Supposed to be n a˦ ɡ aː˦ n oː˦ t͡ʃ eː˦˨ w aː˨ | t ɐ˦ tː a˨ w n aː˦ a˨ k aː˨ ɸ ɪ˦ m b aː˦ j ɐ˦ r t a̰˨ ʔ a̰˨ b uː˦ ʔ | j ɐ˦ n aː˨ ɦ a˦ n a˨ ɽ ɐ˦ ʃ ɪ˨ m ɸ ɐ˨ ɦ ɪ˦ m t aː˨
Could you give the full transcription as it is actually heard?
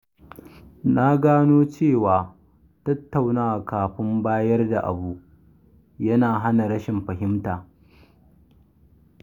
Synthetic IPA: n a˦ ɡ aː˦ n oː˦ t͡ʃ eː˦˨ w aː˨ | t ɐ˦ tː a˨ w n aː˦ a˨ k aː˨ ɸ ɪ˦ m b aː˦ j ɐ˦ r d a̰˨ ʔ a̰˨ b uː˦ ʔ | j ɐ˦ n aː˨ ɦ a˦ n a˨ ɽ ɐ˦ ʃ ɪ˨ m ɸ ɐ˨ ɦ ɪ˦ m t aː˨